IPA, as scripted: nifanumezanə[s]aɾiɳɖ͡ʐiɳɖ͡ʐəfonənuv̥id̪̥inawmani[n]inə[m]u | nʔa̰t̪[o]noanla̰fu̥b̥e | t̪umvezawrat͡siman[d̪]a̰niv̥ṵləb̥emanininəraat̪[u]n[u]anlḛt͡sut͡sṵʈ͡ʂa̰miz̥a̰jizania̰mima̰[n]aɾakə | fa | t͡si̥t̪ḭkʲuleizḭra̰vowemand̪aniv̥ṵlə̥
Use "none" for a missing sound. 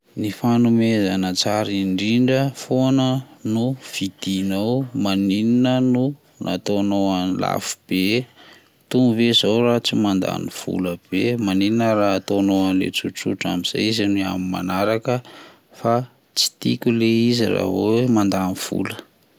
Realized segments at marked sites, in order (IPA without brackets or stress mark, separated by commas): t͡s, n, n, o, d̪, o, o, n